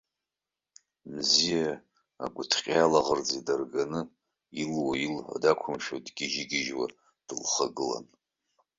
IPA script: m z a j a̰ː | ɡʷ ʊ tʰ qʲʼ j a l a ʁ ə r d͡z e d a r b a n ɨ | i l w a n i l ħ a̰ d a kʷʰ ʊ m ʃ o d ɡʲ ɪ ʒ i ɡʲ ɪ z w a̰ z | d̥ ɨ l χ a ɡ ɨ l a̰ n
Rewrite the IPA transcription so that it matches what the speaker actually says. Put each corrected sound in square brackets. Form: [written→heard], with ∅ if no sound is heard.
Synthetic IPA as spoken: m z [a→i] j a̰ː | ɡʷ ʊ tʰ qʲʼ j a l a ʁ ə r d͡z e d a r [b→ɡ] a n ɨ | i l w a [n→∅] i l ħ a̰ d a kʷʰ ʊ m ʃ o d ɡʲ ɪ ʒ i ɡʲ ɪ [z→ʒ] w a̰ [z→∅] | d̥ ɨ l χ a ɡ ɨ l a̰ n